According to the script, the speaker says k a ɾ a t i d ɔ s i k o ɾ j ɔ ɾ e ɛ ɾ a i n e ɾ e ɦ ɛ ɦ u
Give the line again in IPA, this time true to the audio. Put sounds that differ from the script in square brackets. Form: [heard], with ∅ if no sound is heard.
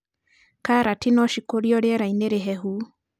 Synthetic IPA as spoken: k a ɾ a t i [n] ɔ [ʃ] i k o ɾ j ɔ ɾ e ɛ ɾ a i n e ɾ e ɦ ɛ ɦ u